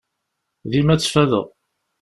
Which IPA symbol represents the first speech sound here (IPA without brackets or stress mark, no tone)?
ð